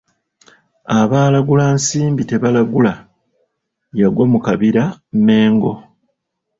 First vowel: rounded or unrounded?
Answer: unrounded